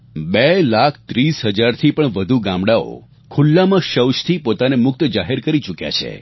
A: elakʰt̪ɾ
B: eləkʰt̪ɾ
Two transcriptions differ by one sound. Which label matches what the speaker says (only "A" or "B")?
A